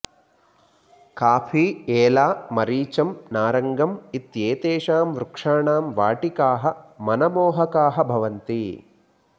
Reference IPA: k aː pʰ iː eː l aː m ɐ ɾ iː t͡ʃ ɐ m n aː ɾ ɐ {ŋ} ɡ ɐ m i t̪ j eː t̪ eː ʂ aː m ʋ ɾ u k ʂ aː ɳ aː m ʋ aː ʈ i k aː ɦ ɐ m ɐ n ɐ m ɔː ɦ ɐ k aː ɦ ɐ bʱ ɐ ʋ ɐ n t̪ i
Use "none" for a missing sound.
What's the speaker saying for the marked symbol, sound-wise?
ŋ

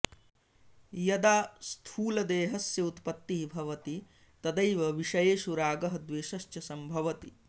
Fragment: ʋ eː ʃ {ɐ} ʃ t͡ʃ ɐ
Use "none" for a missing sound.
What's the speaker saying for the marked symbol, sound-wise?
ɐ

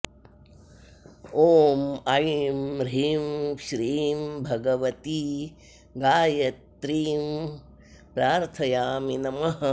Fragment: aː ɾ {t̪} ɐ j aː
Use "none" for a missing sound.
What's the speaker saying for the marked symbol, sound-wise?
t̪ʰ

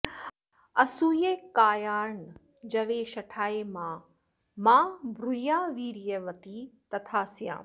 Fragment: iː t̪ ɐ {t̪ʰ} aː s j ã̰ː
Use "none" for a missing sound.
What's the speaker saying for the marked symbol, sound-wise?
t̪ʰ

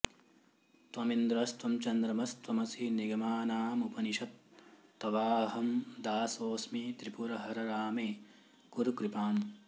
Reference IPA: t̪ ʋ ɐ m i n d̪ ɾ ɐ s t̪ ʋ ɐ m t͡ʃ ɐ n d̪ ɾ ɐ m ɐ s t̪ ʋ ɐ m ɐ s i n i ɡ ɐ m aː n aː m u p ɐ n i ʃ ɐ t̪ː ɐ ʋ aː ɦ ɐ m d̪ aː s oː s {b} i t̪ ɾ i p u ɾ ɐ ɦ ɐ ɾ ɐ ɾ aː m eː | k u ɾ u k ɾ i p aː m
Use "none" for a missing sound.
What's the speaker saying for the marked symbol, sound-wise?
m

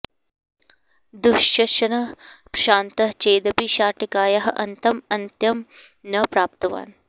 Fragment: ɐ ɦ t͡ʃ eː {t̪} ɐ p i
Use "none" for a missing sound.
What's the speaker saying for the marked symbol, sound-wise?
d̪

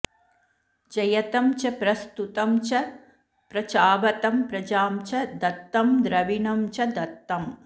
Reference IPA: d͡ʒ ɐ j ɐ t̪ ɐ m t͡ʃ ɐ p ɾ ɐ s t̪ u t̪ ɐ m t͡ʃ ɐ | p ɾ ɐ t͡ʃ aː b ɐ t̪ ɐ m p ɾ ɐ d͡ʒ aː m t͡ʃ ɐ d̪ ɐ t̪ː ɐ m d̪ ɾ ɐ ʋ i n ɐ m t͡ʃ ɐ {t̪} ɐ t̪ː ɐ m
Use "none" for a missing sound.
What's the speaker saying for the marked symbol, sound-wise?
d̪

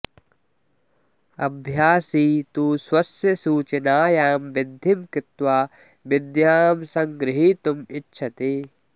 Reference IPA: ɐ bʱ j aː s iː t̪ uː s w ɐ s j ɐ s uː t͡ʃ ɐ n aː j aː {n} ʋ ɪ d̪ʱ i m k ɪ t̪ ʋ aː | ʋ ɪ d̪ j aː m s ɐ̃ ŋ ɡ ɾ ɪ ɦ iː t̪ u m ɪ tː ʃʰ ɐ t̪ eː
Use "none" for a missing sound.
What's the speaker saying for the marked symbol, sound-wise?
m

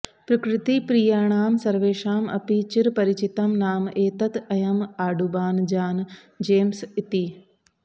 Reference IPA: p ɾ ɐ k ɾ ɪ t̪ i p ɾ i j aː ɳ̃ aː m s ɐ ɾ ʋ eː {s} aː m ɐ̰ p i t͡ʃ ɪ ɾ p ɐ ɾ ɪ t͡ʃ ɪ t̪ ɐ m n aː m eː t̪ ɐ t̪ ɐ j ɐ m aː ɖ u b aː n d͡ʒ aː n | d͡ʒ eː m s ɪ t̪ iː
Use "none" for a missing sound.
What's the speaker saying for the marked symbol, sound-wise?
ʃ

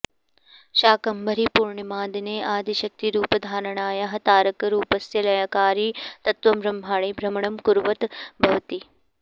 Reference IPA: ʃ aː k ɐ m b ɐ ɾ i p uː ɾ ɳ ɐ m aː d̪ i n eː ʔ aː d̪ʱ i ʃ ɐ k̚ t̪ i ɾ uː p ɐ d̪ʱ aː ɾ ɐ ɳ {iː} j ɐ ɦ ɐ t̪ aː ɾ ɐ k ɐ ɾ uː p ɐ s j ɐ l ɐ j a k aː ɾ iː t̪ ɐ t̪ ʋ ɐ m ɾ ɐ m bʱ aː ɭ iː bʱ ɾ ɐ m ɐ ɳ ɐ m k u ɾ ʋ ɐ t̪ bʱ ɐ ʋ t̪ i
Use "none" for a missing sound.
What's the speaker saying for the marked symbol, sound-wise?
aː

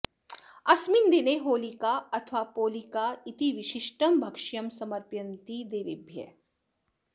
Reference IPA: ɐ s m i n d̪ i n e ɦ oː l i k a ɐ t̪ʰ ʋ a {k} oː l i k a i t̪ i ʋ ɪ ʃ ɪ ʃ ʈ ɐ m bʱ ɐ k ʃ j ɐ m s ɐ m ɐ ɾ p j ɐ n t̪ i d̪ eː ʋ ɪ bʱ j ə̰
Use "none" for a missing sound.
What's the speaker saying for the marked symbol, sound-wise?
p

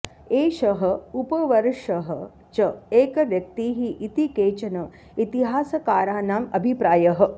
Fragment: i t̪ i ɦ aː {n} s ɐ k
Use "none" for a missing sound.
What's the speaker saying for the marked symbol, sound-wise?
none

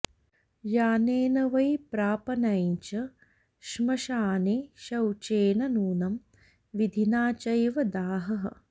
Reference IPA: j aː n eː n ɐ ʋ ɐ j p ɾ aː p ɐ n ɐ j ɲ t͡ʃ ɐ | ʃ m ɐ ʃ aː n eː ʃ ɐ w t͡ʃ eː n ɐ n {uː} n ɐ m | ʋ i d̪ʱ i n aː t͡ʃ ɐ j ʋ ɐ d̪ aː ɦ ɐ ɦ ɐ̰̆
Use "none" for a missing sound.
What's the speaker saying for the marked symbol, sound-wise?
uː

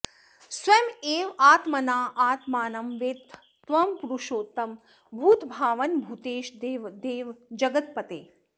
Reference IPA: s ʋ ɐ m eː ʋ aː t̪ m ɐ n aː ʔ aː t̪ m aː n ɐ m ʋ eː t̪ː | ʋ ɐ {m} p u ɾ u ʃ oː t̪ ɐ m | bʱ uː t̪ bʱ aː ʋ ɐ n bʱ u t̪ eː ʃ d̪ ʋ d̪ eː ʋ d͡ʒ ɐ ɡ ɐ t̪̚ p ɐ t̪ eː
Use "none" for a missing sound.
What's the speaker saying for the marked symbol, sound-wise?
m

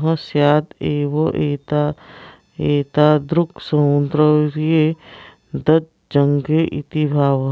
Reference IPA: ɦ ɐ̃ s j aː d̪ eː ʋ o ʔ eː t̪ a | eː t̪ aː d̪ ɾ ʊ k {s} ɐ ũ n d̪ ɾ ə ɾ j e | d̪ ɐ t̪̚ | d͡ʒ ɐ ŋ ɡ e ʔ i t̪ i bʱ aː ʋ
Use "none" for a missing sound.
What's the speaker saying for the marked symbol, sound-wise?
s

